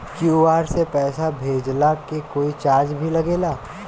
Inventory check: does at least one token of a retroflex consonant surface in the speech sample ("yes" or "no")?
no